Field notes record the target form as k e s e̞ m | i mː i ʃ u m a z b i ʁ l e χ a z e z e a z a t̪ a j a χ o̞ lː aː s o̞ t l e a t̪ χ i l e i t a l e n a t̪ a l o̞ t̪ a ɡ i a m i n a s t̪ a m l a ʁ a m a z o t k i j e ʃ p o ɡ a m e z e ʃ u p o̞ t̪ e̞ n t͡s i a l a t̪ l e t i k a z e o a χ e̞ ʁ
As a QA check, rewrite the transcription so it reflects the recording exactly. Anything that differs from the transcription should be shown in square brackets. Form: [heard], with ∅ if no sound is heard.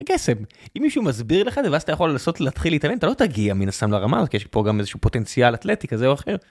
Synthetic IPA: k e s e̞ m | i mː i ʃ u m a z b i ʁ l e χ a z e [v] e a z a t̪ a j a χ o̞ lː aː s o̞ t l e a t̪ χ i l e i t a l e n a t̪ a l o̞ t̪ a ɡ i a m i n a s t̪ a m l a ʁ a m a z o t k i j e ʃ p o ɡ a m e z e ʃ u p o̞ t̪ e̞ n t͡s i a l a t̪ l e t i k a z e o a χ e̞ ʁ